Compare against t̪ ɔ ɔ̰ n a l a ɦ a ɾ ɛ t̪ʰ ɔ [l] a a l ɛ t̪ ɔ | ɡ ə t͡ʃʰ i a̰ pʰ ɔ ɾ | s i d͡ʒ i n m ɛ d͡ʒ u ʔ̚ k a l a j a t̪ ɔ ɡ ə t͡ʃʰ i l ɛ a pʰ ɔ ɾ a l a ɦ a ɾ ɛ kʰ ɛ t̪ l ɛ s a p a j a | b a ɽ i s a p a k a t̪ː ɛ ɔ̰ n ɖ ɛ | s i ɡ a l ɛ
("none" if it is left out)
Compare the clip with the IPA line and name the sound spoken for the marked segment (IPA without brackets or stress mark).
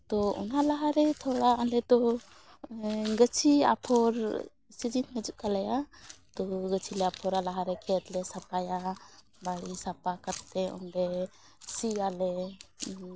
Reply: ɽ